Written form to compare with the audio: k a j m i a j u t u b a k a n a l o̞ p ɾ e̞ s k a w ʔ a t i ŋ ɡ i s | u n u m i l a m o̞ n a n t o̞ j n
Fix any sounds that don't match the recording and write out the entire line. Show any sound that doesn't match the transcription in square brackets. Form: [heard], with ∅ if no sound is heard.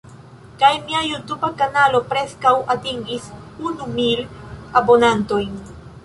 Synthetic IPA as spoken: k a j m i a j u t u b a k a n a l o̞ p ɾ e̞ s k a w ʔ a t i ŋ ɡ i s | u n u m i l a [b] o̞ n a n t o̞ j n

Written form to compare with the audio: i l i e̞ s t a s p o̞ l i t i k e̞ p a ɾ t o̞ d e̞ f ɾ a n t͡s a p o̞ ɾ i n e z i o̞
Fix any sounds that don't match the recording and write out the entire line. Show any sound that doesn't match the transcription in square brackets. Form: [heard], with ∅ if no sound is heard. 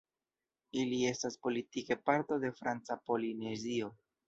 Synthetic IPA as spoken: i l i e̞ s t a s p o̞ l i t i k e̞ p a ɾ t o̞ d e̞ f ɾ a n t͡s a p o̞ [l] i n e z i o̞

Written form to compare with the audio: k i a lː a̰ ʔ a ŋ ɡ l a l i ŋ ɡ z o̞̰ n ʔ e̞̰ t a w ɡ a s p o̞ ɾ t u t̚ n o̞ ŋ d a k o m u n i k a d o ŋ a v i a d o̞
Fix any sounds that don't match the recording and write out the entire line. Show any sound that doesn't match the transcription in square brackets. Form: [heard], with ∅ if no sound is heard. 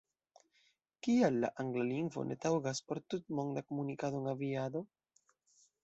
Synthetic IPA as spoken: k i a lː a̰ ʔ a ŋ ɡ l a l i ŋ ɡ [v] o̞̰ n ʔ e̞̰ t a w ɡ a s p o̞ ɾ t u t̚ [m] o̞ ŋ d a k o m u n i k a d o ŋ a v i a d o̞

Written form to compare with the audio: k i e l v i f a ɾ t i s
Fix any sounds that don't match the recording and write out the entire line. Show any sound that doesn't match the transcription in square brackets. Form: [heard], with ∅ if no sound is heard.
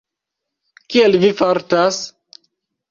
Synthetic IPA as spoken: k i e l v i f a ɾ t [a] s

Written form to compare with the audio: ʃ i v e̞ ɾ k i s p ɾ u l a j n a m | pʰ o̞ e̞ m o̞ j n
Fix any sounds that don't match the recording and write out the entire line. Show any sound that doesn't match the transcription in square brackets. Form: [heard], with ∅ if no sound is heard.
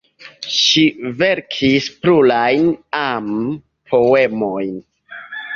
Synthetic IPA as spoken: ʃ i v e̞ ɾ [kʰ] i s p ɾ u l a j n a m | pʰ o̞ e̞ m o̞ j n

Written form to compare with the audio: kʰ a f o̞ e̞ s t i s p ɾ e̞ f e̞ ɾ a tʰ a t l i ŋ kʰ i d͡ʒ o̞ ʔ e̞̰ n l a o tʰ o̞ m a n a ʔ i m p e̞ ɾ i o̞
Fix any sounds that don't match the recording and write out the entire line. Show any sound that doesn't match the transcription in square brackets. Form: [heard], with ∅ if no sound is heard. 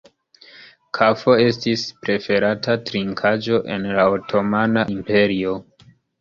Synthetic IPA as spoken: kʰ a f o̞ e̞ s t i s p ɾ e̞ f e̞ ɾ a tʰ a t [ɾ] i ŋ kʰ [a] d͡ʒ o̞ ʔ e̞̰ n l a o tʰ o̞ m a n a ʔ i m p e̞ ɾ i o̞

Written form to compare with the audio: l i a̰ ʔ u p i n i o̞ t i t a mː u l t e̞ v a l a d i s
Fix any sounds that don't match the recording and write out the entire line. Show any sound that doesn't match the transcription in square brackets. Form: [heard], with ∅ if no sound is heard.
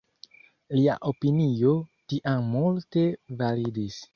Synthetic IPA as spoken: l i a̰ ʔ [o] p i n i o̞ t i [ʔ] a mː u l t e̞ v a l [i] d i s

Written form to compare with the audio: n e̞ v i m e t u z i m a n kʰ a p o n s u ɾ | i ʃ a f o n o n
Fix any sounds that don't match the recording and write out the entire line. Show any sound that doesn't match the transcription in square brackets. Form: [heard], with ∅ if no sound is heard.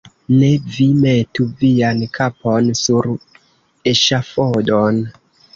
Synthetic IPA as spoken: n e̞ v i m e t u [v] i [∅] a n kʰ a p o n s u ɾ | [e] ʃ a f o [d] o n

